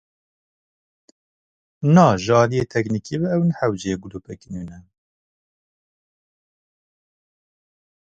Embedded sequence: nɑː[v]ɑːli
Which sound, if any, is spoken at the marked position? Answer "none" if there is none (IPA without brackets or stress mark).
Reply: ʒ